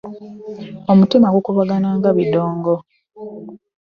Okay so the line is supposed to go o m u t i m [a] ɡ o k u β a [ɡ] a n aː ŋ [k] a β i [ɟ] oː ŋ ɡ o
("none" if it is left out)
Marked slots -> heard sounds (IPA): a, ɡ, ɡ, d

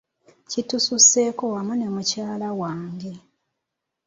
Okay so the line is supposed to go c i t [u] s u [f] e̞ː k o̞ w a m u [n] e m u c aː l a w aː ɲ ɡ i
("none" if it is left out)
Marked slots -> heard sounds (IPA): u, s, n

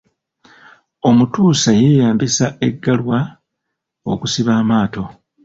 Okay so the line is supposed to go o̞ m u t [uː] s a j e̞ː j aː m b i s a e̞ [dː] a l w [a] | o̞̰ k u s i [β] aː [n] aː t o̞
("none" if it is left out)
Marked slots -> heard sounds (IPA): uː, ɡː, a, β, m

